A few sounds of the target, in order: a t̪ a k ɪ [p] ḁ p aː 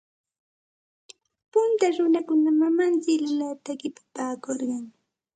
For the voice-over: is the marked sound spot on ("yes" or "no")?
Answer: yes